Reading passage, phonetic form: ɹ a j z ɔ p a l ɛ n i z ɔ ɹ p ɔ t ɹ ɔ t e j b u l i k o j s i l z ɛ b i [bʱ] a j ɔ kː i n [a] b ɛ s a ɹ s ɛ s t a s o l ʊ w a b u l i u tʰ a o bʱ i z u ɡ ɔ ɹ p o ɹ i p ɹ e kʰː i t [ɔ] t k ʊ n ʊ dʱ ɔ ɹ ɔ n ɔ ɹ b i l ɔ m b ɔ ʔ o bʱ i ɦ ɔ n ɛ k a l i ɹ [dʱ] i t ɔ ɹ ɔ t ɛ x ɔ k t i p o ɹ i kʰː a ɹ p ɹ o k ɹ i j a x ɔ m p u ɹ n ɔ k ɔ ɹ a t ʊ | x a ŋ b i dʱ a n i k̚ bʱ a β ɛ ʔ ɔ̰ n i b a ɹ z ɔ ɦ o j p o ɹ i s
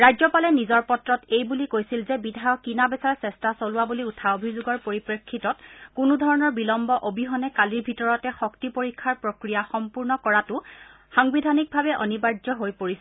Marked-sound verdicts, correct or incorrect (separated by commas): incorrect, correct, correct, incorrect